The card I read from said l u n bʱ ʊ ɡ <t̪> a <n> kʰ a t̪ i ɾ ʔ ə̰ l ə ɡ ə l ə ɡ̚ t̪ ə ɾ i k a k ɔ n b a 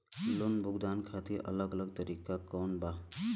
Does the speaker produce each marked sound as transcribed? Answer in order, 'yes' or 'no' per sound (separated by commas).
no, yes